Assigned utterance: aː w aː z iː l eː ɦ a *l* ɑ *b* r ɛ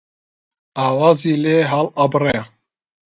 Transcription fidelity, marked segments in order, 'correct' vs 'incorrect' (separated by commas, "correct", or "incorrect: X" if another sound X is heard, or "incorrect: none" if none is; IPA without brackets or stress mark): correct, correct